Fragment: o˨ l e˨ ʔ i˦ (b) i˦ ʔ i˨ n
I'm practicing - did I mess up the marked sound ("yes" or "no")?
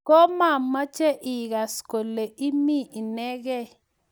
yes